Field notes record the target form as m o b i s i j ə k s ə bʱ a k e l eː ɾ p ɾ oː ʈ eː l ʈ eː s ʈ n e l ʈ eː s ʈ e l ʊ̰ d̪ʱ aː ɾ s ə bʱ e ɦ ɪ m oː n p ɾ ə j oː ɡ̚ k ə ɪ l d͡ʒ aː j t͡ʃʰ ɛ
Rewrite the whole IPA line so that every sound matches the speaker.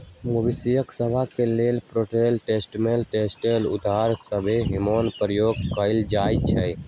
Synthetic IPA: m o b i s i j ə k s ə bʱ a k e l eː l p ɾ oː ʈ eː l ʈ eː s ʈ m e l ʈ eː s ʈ e l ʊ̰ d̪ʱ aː ɾ s ə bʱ e ɦ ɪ m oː n p ɾ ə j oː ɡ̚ k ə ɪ l d͡ʒ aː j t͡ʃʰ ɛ